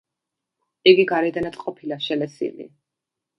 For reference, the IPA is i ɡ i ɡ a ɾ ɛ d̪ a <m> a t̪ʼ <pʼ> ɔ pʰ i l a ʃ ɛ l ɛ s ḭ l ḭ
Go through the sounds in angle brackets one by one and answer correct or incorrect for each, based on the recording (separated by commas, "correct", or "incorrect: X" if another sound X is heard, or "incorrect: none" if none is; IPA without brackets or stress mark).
incorrect: n, incorrect: qʼ